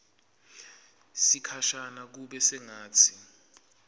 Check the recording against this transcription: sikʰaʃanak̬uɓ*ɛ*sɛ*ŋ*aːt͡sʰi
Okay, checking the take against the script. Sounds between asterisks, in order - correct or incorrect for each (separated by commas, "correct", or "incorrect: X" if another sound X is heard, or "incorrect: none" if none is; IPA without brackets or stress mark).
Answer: correct, correct